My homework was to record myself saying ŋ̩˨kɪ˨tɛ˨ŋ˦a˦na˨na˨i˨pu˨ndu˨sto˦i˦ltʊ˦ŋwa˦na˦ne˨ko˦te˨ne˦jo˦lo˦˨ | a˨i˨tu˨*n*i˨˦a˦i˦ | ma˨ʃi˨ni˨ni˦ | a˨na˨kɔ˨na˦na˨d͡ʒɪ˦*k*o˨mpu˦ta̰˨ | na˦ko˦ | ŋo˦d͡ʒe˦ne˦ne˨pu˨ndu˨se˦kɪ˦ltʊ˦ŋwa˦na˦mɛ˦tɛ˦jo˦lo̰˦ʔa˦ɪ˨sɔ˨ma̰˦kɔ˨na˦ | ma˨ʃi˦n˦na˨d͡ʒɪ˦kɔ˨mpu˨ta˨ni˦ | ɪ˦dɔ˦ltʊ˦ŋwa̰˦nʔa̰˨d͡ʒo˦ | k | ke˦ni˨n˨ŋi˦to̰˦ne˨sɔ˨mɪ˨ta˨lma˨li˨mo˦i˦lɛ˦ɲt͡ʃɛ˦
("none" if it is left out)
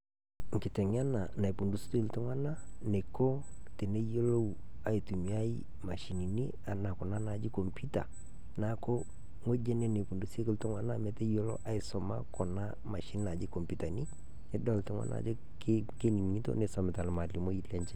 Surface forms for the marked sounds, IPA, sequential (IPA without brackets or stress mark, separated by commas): m, k